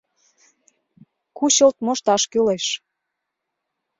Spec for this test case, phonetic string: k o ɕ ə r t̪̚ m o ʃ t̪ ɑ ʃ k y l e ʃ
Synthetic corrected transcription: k u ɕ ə l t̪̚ m o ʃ t̪ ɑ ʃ k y l e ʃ